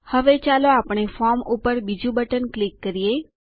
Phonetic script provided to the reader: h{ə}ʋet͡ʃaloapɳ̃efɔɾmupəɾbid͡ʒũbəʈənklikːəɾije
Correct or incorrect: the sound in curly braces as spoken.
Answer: correct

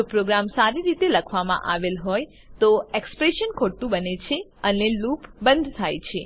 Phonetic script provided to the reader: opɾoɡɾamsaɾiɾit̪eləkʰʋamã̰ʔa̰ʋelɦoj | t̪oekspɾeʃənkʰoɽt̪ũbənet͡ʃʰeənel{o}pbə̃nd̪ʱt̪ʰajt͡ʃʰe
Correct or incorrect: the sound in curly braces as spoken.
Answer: incorrect: u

